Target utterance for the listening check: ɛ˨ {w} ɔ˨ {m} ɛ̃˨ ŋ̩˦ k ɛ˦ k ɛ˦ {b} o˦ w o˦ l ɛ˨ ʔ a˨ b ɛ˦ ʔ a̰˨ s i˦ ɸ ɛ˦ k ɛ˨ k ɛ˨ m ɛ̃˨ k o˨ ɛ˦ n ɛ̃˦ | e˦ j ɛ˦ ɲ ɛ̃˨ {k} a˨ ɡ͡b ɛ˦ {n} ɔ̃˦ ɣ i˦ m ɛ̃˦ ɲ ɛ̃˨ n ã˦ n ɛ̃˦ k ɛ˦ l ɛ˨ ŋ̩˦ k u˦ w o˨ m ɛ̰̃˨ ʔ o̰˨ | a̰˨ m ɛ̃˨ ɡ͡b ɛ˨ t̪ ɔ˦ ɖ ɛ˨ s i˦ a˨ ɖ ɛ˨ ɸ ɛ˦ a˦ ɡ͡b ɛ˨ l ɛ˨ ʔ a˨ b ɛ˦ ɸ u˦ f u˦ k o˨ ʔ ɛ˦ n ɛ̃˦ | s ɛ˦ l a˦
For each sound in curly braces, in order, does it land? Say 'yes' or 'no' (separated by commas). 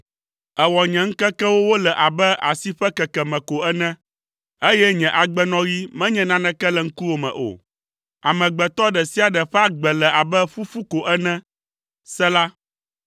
yes, no, no, no, yes